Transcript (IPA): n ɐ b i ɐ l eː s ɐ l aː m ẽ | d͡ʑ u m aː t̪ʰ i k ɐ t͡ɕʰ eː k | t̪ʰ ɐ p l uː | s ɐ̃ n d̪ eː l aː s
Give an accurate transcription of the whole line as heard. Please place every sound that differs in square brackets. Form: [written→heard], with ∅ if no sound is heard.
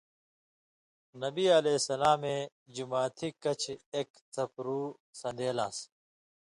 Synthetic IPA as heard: n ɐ b i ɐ l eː s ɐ l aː m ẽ | d͡ʑ u m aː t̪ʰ i k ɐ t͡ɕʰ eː k | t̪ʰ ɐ p [l→ɾ] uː | s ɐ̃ n d̪ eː l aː s